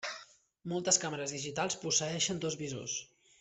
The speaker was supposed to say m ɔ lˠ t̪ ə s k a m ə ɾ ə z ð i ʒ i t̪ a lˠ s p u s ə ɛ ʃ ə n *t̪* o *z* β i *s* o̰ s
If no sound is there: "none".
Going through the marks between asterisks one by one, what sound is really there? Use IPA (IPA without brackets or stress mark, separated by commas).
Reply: d̪, z, z